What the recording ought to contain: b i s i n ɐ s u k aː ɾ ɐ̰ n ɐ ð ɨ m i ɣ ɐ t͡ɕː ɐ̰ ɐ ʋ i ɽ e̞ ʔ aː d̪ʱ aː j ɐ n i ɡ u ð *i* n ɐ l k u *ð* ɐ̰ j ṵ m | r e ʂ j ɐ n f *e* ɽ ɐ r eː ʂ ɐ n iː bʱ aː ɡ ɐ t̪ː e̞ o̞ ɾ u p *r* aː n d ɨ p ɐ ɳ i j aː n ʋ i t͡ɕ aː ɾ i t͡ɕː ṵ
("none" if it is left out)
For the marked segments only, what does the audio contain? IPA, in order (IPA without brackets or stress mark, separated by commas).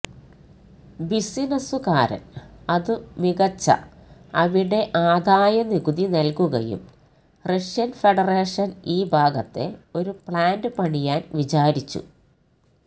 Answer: i, ɣ, e, ɭ